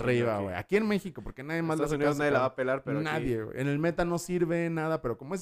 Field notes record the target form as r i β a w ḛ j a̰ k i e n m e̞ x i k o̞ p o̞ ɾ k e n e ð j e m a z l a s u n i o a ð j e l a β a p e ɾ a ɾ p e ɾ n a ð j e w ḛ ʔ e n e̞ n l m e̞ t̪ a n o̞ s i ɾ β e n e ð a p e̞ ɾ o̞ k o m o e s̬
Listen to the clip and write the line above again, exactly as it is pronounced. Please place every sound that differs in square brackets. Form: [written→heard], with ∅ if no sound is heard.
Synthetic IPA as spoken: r i β a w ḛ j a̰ k i e n m e̞ x i k o̞ p o̞ ɾ k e n [e→a] ð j e m a z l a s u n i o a ð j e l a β a p e [ɾ→l] a ɾ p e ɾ n a ð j e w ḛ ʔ e n e̞ [n→∅] l m e̞ t̪ a n o̞ s i ɾ β e n [e→a] ð a p e̞ ɾ o̞ k o m o e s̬